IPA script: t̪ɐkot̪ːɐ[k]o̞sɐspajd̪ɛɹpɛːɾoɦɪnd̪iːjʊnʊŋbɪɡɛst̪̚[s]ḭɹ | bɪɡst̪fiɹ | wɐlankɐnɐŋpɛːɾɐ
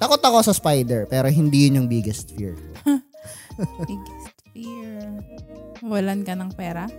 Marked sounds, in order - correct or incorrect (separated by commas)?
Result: correct, incorrect